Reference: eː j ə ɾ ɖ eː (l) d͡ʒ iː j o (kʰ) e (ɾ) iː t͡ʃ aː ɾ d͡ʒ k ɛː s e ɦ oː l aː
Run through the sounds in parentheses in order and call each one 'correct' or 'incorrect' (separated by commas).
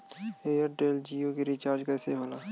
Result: correct, incorrect, correct